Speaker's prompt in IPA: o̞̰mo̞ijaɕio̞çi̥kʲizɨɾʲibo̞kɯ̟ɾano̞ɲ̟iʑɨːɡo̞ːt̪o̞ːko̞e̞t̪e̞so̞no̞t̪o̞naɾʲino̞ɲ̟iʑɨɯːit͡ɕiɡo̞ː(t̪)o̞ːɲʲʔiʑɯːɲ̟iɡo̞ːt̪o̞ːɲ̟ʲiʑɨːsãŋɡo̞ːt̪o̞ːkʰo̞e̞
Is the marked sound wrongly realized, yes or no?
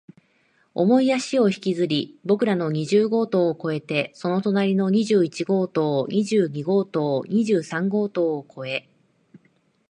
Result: no